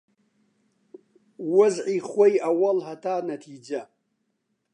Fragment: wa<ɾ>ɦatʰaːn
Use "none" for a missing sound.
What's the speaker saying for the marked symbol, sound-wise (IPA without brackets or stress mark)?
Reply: l